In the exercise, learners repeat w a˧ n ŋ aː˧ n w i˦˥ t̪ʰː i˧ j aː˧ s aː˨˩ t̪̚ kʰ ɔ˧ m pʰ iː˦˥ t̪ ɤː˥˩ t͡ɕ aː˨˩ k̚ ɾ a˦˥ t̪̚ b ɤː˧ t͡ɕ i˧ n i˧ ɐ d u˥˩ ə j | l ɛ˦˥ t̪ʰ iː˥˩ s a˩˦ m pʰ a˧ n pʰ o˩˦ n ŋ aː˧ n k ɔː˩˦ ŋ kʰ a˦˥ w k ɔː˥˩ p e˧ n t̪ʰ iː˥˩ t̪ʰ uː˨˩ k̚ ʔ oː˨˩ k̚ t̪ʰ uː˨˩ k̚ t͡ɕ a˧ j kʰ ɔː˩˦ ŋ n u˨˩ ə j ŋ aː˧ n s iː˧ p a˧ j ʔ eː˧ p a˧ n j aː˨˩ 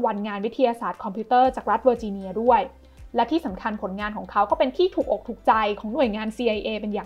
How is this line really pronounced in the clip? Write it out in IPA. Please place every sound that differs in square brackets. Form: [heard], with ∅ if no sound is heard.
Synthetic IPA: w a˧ n ŋ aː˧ n w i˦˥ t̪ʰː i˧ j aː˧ s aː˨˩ t̪̚ kʰ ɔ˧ m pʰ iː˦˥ t̪ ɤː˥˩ t͡ɕ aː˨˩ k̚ ɾ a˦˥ t̪̚ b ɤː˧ t͡ɕ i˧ n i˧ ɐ d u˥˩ ə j | l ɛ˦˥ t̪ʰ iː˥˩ s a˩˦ m [kʰ] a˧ n pʰ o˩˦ n ŋ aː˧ n k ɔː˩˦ ŋ kʰ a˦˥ w k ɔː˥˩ p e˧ n t̪ʰ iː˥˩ t̪ʰ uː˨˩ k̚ ʔ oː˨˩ k̚ t̪ʰ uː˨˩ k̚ t͡ɕ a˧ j kʰ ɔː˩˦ ŋ n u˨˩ ə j ŋ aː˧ n s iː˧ [ʔ] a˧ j ʔ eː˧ p [e˧] n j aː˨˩